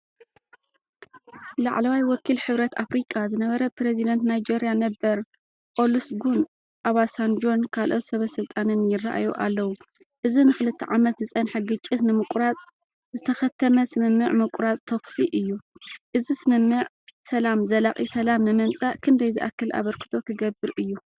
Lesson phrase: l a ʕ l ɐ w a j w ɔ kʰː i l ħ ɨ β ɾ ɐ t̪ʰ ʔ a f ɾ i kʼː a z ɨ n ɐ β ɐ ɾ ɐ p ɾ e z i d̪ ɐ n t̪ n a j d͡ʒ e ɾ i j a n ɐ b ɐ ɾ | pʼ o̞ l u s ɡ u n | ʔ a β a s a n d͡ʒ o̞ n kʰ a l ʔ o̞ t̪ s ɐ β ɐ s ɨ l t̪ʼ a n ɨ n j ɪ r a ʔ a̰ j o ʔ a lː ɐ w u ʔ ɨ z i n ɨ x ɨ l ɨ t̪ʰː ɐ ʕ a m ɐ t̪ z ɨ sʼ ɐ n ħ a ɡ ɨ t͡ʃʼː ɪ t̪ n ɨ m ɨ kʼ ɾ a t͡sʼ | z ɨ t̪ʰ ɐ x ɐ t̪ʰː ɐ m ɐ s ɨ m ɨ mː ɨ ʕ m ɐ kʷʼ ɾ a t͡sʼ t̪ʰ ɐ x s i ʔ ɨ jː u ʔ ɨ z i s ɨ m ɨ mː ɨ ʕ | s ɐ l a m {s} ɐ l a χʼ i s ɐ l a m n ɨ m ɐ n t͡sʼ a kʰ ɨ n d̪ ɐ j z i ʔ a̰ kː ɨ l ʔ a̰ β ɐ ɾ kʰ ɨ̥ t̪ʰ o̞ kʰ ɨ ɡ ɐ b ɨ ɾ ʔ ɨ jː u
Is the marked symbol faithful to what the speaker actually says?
no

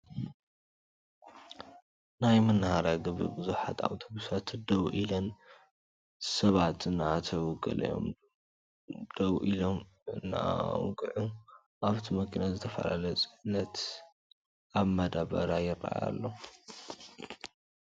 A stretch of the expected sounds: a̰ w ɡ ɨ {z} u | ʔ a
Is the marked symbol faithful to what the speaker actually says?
no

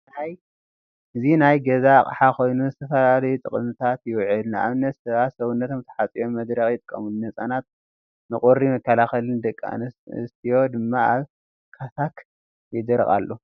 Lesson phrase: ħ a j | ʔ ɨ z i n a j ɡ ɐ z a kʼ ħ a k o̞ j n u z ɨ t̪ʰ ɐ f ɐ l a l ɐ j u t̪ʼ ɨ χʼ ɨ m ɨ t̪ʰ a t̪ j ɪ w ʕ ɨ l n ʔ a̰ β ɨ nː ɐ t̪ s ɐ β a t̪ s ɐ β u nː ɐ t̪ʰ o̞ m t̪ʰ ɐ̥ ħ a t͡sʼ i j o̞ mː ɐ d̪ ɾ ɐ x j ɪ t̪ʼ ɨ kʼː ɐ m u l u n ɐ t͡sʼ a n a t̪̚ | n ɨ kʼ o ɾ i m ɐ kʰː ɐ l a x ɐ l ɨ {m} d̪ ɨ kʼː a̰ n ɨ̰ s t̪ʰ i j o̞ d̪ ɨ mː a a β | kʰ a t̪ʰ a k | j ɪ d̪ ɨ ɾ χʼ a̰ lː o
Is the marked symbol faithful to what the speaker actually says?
no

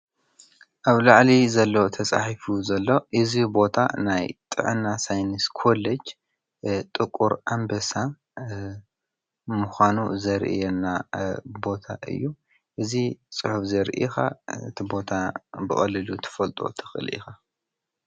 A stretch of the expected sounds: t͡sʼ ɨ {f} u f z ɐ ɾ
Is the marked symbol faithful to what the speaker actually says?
no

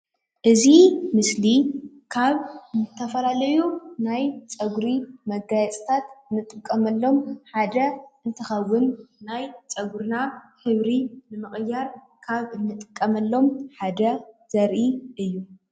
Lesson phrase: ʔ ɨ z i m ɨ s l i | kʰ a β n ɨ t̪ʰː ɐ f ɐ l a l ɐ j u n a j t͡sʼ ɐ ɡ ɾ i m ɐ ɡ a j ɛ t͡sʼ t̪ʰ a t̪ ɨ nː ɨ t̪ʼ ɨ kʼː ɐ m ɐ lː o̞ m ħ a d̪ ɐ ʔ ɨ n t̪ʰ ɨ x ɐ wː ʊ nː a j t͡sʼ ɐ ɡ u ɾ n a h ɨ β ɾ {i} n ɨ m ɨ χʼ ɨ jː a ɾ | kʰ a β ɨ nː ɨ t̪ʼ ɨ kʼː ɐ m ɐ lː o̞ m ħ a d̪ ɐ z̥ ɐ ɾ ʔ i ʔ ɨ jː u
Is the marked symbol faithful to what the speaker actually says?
yes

